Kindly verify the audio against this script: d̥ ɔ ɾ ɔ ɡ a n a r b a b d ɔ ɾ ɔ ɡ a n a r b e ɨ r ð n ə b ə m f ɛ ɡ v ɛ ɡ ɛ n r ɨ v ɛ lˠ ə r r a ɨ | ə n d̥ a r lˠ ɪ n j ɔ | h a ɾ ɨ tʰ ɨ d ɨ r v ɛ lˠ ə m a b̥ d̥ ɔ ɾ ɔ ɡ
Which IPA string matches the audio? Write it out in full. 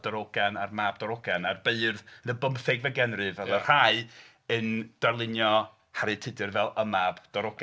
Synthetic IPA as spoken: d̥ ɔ ɾ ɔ ɡ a n a r m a b d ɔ ɾ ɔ ɡ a n a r b e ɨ r ð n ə b ə m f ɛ ɡ v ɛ ɡ ɛ n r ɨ v ɛ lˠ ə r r a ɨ | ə n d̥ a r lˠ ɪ n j ɔ | h a ɾ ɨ tʰ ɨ d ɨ r v ɛ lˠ ə m a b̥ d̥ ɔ ɾ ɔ ɡ

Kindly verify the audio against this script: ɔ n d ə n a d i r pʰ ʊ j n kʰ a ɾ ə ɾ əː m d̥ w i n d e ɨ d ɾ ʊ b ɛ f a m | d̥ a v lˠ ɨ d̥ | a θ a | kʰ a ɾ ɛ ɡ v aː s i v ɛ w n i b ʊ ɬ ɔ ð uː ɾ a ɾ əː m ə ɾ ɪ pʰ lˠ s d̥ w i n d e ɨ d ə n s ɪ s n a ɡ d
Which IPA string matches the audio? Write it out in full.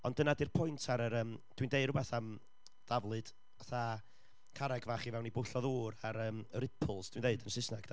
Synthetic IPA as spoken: ɔ n d ə n a d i r pʰ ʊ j n tʰ a ɾ ə ɾ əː m d̥ w i n d e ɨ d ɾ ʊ b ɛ θ a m | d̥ a v lˠ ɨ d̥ | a θ a | kʰ a ɾ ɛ ɡ v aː χ i v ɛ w n i b ʊ ɬ ɔ ð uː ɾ a ɾ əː m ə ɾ ɪ pʰ lˠ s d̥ w i n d e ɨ d ə n s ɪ s n a ɡ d

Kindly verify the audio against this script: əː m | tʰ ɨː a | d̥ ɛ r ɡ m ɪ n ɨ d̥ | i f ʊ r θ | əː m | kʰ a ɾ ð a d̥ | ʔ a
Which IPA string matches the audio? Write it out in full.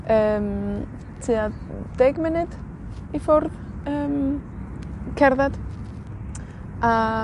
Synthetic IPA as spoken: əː m | tʰ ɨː a | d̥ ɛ ɡ m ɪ n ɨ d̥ | i f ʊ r ð | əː m | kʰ ɛ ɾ ð a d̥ | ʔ a

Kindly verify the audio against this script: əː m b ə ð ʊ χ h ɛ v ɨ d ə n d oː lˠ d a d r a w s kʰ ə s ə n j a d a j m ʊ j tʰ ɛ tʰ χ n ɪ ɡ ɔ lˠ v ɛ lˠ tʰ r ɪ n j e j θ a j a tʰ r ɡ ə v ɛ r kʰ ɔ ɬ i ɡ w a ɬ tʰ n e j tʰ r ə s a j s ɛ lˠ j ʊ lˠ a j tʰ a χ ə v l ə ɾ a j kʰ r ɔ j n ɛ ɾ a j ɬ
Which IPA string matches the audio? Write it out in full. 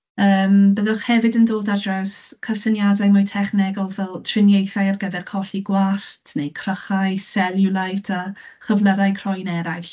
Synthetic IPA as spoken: əː m b ə ð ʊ χ h ɛ v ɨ d ə n d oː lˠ d a d r a w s kʰ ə s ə n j a d a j m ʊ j tʰ ɛ χ n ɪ ɡ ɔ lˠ v ɛ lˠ tʰ r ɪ n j e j θ a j a r ɡ ə v ɛ r kʰ ɔ ɬ i ɡ w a ɬ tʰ n e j kʰ r ə χ a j s ɛ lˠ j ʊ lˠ a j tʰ a χ ə v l ə ɾ a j kʰ r ɔ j n ɛ ɾ a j ɬ

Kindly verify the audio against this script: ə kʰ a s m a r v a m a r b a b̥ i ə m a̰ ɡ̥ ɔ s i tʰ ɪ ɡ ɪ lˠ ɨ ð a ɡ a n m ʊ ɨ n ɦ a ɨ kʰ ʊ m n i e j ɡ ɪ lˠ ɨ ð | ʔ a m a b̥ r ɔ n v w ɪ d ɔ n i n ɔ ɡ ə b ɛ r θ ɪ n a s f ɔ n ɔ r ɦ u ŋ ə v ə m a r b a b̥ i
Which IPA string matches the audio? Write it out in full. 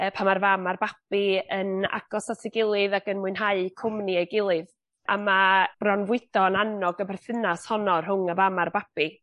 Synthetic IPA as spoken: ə pʰ a m a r v a m a r b a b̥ i ə n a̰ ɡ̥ ɔ s a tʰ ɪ ɡ ɪ lˠ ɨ ð a ɡ ə n m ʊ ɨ n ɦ a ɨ kʰ ʊ m n i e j ɡ ɪ lˠ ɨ ð | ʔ a m a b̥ r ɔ n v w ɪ d ɔ n a n ɔ ɡ ə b ɛ r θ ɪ n a s h ɔ n ɔ r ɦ ʊ ŋ ə v a m a r b a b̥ i

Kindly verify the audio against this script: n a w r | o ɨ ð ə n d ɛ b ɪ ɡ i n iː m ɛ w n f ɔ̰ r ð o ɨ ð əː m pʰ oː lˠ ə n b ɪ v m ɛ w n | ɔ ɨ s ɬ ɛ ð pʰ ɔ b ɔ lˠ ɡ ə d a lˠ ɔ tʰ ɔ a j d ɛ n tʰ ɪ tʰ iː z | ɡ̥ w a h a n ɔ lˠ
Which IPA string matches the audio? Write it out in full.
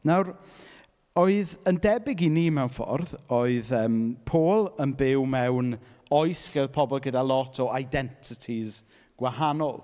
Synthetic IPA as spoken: n a w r | o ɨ ð ə n d ɛ b ɪ ɡ i n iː m ɛ w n f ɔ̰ r ð o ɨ ð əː m pʰ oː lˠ ə n b ɪ w m ɛ w n | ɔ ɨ s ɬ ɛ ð pʰ ɔ b ɔ lˠ ɡ ə d a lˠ ɔ tʰ ɔ a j d ɛ n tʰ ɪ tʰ i z | ɡ̥ w a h a n ɔ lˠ

